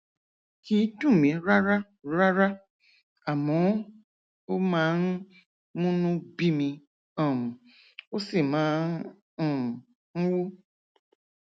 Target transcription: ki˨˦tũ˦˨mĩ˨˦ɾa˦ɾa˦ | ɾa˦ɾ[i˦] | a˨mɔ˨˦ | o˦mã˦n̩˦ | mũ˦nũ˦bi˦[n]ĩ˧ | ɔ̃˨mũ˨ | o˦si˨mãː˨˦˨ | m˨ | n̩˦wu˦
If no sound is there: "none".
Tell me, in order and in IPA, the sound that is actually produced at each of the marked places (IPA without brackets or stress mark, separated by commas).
a˦, m